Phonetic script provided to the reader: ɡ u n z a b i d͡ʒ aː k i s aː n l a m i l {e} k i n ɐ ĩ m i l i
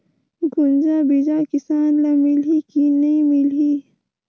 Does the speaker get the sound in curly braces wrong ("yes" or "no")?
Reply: yes